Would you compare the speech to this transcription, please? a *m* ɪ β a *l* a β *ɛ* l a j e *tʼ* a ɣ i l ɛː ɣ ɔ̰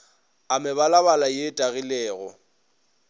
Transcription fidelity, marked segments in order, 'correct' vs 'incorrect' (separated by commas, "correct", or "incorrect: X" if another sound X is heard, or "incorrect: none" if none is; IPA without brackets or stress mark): correct, correct, incorrect: a, correct